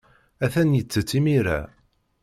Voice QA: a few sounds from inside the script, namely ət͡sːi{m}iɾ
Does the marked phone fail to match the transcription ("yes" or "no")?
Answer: no